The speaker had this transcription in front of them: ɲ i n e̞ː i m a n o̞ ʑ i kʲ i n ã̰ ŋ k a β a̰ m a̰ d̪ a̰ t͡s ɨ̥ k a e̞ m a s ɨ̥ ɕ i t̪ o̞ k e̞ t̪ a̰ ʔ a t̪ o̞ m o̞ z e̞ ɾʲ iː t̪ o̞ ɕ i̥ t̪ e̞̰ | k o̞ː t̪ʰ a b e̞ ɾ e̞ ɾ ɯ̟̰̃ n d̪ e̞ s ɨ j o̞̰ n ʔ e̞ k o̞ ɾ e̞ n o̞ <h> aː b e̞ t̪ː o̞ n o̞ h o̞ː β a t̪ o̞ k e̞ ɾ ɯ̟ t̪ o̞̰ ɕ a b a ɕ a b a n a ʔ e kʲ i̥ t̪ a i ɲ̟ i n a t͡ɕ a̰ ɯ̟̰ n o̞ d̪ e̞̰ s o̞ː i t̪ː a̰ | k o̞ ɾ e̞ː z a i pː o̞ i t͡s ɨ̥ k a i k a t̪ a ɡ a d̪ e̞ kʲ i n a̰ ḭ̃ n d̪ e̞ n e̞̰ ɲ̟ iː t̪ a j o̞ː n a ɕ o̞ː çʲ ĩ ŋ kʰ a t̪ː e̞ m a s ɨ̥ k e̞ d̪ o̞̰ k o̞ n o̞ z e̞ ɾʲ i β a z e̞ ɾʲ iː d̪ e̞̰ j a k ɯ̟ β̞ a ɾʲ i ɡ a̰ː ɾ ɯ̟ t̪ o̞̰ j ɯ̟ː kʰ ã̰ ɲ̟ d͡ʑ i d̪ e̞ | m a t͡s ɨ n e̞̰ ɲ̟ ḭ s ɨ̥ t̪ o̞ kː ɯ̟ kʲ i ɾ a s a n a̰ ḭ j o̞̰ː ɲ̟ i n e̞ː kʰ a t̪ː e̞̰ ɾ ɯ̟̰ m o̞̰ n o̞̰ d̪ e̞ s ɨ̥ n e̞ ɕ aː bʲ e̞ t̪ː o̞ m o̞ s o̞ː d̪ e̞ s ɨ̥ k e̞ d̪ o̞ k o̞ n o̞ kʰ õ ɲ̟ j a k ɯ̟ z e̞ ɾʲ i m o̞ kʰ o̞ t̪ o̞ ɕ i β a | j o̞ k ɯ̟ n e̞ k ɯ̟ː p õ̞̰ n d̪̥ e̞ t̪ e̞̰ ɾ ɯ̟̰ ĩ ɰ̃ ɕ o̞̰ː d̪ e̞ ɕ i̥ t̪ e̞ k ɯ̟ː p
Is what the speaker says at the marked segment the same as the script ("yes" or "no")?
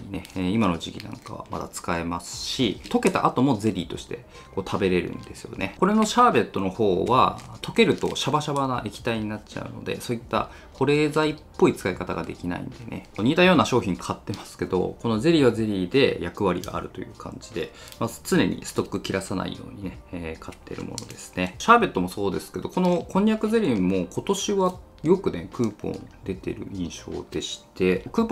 no